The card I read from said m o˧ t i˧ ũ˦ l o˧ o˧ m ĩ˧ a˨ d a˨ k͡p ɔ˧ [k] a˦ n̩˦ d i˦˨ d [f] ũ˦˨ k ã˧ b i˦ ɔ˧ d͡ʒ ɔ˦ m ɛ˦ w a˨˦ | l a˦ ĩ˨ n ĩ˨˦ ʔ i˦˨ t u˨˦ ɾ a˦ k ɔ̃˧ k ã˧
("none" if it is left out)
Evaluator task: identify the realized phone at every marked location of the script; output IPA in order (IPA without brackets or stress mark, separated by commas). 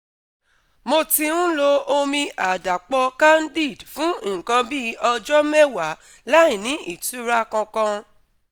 k, f